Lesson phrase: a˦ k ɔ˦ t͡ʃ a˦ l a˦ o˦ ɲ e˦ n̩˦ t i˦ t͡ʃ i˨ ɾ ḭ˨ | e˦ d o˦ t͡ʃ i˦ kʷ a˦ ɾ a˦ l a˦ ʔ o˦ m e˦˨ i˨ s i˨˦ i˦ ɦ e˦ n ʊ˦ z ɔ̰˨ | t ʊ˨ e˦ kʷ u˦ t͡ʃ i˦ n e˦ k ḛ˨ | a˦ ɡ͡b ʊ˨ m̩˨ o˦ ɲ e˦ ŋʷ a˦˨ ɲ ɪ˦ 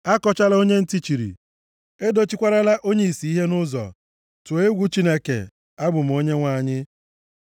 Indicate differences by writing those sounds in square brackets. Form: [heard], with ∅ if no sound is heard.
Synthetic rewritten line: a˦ k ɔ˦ t͡ʃ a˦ l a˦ o˦ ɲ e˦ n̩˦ t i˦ t͡ʃ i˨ ɾ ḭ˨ | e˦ d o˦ t͡ʃ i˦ kʷ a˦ ɾ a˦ l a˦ ʔ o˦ [ɲ] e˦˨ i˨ s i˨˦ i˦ ɦ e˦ n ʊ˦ z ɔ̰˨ | t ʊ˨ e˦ [ɡʷ] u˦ t͡ʃ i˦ n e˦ k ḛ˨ | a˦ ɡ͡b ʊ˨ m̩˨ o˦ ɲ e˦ ŋʷ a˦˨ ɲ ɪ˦